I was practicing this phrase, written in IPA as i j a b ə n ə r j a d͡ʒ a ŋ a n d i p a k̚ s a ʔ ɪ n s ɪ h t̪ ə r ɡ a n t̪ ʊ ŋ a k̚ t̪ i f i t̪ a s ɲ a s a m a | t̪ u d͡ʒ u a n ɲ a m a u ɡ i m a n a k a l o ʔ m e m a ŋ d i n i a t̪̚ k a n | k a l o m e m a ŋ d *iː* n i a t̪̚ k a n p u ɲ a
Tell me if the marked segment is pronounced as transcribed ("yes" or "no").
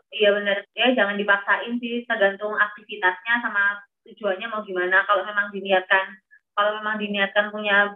no